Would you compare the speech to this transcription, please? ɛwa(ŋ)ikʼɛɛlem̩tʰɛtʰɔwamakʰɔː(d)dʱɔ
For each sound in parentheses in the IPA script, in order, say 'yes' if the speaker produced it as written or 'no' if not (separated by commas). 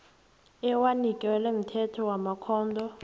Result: no, no